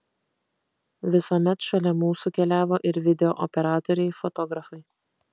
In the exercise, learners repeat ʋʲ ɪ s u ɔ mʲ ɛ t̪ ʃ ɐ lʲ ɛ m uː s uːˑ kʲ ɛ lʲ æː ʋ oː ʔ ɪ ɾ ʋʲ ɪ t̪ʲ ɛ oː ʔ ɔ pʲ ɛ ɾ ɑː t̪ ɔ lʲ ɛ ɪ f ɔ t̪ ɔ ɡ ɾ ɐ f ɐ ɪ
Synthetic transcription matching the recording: ʋʲ ɪ s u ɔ mʲ ɛ t̪ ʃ ɐ lʲ ɛ m uː s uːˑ kʲ ɛ lʲ æː ʋ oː ʔ ɪ ɾ ʋʲ ɪ d̪ʲ ɛ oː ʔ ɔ pʲ ɛ ɾ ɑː t̪ ɔ ɾʲ ɛ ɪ f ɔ t̪ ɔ ɡ ɾ ɐ f ɐ ɪ

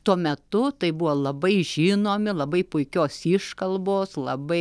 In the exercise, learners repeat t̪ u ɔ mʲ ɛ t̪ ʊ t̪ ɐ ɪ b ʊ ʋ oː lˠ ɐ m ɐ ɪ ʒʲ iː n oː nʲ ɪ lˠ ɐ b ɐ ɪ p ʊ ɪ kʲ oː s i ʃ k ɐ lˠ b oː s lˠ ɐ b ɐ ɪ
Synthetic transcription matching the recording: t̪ u ɔ mʲ ɛ t̪ ʊ t̪ ɐ ɪ b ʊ ʋ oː lˠ ɐ b ɐ ɪ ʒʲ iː n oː mʲ ɪ lˠ ɐ b ɐ ɪ p ʊ ɪ kʲ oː s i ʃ k ɐ lˠ b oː s lˠ ɐ b ɐ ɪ

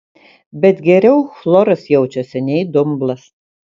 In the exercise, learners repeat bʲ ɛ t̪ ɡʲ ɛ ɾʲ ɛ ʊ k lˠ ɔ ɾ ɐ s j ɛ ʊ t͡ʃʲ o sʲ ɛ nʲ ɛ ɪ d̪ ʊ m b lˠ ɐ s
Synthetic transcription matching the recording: bʲ ɛ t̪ ɡʲ ɛ ɾʲ ɛ ʊ x lˠ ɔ ɾ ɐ s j ɛ ʊ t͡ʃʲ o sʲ ɛ nʲ ɛ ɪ d̪ ʊ m b lˠ ɐ s

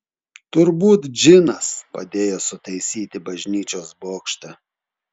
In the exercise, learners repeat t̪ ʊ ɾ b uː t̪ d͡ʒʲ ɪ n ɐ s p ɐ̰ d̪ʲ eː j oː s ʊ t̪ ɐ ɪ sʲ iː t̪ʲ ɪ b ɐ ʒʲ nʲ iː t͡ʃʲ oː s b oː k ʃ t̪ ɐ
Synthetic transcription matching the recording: t̪ ʊ ɾ b uː t̪ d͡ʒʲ ɪ n ɐ s p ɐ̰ d̪ʲ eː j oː s ʊ t̪ ɐ ɪ sʲ iː t̪ʲ ɪ b ɐ ʒʲ nʲ iː t͡ʃʲ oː s b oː k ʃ t̪ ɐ

